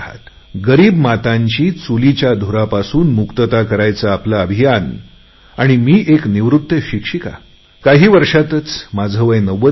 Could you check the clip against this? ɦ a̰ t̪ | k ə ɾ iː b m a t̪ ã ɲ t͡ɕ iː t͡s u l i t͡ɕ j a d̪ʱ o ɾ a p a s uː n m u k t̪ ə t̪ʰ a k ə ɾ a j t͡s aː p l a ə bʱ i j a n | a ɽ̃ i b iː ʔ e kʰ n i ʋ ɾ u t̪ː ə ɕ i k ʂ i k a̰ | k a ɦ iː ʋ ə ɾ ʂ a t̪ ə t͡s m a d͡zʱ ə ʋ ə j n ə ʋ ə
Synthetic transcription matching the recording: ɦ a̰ t̪ | ɡ ə ɾ iː b m a t̪ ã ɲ t͡ɕ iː t͡s u l i t͡ɕ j a d̪ʱ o ɾ a p a s uː n m u k t̪ ə t̪ a k ə ɾ a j t͡s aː p l a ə bʱ i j a n | a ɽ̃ i m iː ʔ e k n i ʋ ɾ u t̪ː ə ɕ i k ʂ i k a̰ | k a ɦ iː ʋ ə ɾ ʂ a t̪ ə t͡s m a d͡zʱ ə ʋ ə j n ə ʋ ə